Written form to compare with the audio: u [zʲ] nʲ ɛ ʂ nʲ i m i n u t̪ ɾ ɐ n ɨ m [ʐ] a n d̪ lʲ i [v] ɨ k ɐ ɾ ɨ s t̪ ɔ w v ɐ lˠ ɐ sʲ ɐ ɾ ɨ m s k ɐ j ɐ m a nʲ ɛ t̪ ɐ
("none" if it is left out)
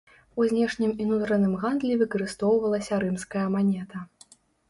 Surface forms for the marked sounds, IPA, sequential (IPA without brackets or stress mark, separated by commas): zʲ, ɣ, v